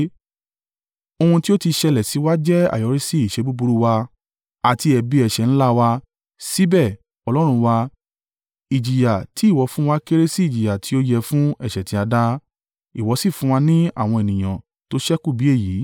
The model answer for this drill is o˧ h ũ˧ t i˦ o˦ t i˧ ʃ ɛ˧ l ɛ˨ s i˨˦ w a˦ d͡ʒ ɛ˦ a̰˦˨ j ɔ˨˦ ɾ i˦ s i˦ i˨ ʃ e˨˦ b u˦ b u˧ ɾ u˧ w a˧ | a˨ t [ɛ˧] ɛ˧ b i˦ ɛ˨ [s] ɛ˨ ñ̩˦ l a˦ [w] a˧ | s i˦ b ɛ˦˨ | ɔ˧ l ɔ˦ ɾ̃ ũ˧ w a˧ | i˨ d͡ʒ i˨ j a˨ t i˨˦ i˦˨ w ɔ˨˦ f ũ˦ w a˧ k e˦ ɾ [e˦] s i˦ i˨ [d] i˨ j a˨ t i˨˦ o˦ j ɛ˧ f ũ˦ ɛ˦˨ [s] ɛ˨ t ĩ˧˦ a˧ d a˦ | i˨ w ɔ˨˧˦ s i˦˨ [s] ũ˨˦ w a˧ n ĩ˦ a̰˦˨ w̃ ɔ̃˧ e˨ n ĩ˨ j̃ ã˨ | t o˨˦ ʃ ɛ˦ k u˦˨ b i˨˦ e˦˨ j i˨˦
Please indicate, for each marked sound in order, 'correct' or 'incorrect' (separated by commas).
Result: incorrect, incorrect, correct, correct, incorrect, incorrect, incorrect